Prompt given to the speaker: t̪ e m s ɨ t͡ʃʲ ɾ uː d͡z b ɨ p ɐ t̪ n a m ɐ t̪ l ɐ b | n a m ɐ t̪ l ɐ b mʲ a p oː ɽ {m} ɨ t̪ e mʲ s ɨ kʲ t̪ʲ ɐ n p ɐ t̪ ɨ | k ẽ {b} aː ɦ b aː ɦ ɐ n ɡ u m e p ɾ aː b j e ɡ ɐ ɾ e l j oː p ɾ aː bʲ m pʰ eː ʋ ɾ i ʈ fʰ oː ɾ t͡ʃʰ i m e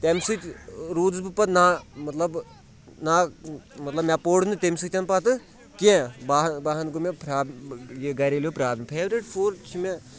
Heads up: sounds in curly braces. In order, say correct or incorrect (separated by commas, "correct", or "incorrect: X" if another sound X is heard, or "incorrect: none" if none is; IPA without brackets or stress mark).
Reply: incorrect: n, correct